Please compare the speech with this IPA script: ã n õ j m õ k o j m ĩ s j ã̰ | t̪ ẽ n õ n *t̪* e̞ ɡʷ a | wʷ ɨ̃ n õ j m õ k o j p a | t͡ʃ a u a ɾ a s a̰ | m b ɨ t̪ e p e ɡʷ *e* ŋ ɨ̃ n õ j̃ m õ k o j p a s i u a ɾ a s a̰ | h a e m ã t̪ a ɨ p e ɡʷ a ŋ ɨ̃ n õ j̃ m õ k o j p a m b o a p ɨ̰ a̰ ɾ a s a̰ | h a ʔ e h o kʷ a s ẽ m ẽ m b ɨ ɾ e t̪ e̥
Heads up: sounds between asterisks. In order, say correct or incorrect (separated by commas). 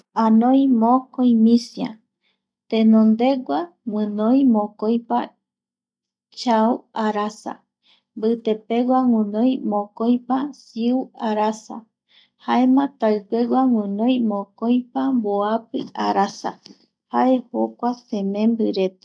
incorrect, incorrect